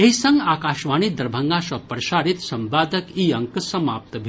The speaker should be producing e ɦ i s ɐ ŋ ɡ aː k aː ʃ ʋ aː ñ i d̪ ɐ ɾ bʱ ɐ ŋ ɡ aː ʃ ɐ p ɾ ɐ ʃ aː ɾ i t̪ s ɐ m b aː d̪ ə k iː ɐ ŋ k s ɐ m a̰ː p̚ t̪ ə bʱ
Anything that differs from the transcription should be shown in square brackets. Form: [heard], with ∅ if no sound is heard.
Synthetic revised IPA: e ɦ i s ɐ ŋ ɡ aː k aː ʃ ʋ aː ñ i d̪ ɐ ɾ bʱ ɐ ŋ ɡ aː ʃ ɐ p ɾ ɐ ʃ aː ɾ i t̪ s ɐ m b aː d̪ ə k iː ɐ ŋ k s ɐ m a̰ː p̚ t̪ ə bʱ